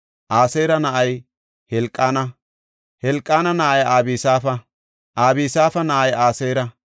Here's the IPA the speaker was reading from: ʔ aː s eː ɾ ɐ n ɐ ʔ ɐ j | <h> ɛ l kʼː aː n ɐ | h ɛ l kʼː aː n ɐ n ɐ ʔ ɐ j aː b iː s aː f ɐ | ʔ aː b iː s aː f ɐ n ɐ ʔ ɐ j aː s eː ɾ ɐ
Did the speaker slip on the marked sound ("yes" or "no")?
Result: no